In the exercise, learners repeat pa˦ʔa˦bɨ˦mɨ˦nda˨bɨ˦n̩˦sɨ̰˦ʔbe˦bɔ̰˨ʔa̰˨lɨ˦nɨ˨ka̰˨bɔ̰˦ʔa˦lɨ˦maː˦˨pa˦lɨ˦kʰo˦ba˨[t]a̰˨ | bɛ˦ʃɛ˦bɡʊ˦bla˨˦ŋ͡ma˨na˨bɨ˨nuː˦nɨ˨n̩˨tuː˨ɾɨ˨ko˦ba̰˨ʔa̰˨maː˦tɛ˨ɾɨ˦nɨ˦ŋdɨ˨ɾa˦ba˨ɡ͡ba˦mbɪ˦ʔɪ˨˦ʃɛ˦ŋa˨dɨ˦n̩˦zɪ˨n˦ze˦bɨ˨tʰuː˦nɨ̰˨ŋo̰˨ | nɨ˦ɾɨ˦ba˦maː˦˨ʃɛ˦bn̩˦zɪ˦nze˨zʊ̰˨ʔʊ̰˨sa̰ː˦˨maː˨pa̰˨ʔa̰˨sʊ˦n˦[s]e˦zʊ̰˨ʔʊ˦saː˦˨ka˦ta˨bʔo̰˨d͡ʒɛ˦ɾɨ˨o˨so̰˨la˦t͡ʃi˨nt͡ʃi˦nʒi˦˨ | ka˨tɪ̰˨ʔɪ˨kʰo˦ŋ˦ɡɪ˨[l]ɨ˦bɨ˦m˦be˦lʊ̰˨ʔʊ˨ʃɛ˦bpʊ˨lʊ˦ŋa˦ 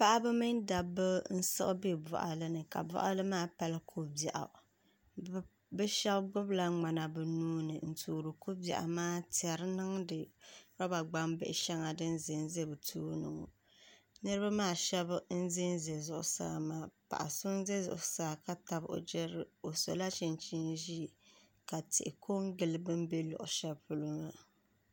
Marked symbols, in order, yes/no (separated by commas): no, no, yes